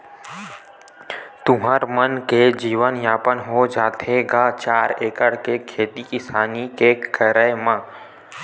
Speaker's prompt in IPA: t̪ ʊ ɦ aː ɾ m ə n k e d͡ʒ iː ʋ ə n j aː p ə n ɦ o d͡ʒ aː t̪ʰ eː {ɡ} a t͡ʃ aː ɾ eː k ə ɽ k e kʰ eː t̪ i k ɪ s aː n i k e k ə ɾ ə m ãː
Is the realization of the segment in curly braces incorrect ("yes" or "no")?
no